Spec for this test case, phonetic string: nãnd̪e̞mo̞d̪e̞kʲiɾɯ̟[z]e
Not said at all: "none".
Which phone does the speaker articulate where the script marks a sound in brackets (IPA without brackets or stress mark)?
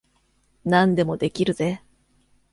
z